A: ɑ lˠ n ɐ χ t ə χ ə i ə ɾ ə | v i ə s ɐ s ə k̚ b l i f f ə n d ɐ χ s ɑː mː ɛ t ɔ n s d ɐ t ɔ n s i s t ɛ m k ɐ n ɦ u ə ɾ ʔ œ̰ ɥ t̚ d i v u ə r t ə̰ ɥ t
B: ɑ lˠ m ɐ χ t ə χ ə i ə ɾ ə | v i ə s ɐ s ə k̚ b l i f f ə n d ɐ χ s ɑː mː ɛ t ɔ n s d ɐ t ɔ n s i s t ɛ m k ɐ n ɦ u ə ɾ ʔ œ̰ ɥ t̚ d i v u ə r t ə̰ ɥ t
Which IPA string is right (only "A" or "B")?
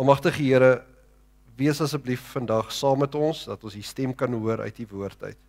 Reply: B